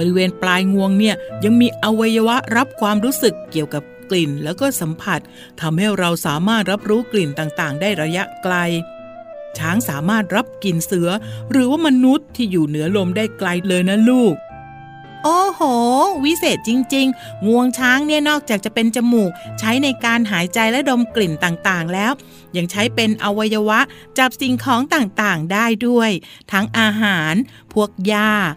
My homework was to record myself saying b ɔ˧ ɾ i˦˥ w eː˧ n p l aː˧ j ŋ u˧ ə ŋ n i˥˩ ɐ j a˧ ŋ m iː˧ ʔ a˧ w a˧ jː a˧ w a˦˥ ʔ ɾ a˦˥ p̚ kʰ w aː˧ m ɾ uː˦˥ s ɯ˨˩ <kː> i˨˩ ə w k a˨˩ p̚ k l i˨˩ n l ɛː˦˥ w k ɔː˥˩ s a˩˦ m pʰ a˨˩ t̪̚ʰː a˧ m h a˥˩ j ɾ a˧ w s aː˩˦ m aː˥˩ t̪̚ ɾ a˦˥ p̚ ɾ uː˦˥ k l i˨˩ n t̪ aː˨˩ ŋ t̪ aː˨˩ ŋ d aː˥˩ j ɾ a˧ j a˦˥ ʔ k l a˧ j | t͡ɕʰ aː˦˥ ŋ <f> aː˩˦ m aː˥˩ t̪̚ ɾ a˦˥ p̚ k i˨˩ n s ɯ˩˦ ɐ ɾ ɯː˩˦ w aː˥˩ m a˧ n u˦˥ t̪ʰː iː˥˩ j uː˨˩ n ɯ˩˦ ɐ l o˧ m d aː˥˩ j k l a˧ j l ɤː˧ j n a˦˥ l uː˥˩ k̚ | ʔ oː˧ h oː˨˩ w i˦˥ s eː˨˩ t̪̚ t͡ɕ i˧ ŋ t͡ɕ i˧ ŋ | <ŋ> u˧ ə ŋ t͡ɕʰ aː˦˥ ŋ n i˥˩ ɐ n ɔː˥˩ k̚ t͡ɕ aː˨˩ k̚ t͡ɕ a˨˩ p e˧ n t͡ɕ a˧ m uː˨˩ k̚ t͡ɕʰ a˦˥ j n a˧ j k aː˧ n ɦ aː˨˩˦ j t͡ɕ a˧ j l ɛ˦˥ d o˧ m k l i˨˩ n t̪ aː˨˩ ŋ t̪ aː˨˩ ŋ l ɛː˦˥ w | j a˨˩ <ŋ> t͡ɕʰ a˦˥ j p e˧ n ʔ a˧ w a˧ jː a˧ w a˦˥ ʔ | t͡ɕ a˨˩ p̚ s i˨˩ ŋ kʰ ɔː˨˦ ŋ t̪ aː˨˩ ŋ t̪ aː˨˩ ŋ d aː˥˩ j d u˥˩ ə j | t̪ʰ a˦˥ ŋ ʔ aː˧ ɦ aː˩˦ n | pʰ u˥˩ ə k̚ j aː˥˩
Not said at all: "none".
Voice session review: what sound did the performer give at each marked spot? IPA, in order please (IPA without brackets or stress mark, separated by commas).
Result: kː, s, ŋ, ŋ